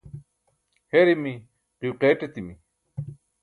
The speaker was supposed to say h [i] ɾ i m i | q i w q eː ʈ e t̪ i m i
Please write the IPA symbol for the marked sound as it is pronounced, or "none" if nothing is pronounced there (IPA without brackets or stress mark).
e